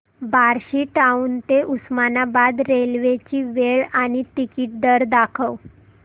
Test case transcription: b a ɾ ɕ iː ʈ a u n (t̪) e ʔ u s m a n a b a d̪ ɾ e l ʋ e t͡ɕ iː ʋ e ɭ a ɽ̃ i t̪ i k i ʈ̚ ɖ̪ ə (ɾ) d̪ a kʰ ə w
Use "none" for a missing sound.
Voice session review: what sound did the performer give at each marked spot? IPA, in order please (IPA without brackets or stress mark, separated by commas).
t̪, ɾ